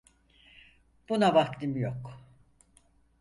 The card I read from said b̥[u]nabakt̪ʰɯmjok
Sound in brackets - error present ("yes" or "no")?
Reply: no